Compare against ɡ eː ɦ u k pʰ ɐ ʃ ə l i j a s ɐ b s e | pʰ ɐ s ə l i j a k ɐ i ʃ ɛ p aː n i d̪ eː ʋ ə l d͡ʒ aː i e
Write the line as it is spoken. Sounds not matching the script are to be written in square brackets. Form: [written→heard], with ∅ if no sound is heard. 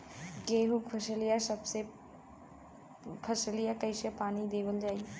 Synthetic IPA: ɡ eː ɦ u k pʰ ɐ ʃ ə l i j a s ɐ b s e | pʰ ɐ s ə l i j a k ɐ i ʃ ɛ p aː n i d̪ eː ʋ ə l d͡ʒ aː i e